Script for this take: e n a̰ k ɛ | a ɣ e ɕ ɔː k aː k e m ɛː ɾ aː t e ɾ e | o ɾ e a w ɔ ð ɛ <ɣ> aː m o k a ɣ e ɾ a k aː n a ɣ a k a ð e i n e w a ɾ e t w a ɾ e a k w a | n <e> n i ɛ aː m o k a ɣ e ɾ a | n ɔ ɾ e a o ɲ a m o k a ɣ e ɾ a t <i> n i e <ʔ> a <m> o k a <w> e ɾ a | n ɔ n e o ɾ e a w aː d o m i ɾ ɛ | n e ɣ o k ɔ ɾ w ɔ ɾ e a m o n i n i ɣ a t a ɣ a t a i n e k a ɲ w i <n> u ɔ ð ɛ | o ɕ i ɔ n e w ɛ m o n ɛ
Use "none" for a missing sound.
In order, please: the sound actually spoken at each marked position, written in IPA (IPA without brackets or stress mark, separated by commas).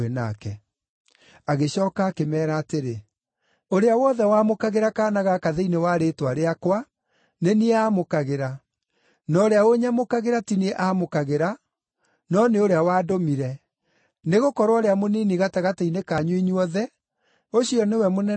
w, e, i, ʔ, m, ɣ, ɲ